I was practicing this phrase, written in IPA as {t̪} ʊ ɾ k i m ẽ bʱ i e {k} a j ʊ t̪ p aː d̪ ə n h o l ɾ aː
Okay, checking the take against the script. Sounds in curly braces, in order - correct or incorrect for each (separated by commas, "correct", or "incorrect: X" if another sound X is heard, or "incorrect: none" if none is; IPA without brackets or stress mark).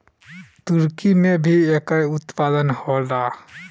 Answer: correct, correct